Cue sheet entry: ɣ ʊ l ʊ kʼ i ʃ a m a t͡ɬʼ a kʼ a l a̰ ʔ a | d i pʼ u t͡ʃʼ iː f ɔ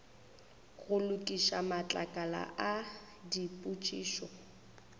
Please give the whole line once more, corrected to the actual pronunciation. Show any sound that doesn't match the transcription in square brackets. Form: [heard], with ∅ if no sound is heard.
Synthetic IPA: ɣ ʊ l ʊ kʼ i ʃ a m a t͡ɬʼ a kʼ a l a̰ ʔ a | d i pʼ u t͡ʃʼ iː [ʃ] ɔ

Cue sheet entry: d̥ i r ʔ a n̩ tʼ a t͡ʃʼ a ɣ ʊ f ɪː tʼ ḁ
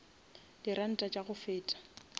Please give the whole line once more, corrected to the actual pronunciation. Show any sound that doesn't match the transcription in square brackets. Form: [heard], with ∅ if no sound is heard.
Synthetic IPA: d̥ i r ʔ a n̩ tʼ a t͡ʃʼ a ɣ ʊ f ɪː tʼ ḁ

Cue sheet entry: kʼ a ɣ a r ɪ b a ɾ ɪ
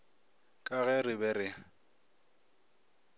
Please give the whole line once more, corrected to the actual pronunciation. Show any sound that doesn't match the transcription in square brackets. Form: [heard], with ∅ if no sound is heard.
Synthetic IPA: kʼ a ɣ [ɛ] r ɪ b [ɛ] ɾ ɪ

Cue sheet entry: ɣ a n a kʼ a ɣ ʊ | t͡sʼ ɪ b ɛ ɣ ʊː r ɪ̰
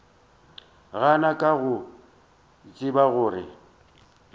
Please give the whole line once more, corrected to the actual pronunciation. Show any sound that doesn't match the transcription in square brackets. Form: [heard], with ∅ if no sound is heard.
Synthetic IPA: ɣ a n a kʼ a ɣ ʊ | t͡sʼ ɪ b [a] ɣ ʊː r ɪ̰

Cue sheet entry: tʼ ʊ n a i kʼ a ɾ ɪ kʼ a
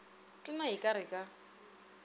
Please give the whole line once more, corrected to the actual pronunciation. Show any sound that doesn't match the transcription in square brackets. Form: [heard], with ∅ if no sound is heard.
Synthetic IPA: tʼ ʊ n a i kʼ a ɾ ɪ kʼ a

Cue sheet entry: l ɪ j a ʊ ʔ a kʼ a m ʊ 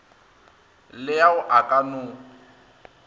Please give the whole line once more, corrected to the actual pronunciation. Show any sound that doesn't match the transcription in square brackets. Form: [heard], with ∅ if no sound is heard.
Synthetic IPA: l ɪ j a ʊ ʔ a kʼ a [n] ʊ

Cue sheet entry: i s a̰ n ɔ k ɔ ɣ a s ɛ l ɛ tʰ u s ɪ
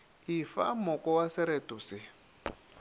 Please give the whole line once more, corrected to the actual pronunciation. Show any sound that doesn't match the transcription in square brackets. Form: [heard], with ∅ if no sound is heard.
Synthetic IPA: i [f] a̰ [m] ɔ k ɔ [w] a s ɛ [ɾ] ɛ [t] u s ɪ

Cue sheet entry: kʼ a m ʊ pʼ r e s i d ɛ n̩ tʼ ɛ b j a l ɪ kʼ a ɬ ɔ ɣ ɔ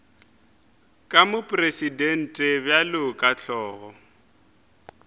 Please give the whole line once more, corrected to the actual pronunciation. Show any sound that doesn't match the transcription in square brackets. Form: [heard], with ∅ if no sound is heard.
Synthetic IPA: kʼ a m ʊ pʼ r e s i d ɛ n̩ tʼ ɛ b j a l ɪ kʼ a ɬ [ɔː] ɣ ɔ

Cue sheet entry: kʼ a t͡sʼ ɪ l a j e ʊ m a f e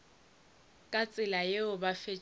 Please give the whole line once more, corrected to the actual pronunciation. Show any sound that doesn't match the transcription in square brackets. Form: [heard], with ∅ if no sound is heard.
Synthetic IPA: kʼ a t͡sʼ ɪ l a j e ʊ [b] a f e

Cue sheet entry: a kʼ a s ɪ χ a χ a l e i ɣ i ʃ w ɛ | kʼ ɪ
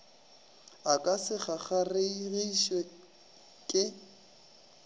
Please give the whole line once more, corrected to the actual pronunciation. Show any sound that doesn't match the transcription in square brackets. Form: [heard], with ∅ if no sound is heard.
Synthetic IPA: a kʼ a s ɪ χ a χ a [r] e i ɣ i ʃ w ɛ | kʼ ɪ

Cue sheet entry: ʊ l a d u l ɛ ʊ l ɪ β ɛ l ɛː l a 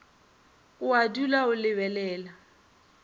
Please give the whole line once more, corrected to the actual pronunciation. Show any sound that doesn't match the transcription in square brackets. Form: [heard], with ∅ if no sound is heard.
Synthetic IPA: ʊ [∅] a d u l [a] ʊ l ɪ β ɛ l ɛː l a

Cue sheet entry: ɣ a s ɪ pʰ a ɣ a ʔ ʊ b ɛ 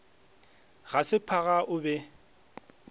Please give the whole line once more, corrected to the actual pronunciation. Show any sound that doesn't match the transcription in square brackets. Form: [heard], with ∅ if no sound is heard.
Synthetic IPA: ɣ a s ɪ pʰ a ɣ a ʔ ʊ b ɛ

